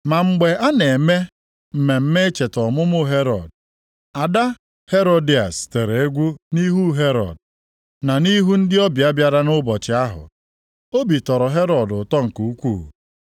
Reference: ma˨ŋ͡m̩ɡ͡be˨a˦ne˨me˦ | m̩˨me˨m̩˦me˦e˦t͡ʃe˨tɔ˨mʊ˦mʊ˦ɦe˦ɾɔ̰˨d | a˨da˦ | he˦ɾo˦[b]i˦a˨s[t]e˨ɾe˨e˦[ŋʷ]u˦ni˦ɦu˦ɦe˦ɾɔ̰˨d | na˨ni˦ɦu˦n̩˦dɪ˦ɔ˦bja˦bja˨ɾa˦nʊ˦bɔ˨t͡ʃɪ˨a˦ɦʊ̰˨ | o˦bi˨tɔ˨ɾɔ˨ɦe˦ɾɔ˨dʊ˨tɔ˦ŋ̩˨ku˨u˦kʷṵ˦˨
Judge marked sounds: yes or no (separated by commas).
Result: no, yes, no